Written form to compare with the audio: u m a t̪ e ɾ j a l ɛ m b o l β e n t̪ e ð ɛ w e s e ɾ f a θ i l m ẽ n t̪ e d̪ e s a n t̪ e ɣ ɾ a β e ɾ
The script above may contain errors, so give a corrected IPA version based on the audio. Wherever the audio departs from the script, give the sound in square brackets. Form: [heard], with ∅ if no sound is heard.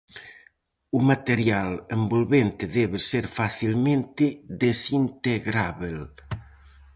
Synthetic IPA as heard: u m a t̪ e ɾ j a l [e] m b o l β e n t̪ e ð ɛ [β] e s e ɾ f a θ i l m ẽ n t̪ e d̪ e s [i] n t̪ e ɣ ɾ a β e [l]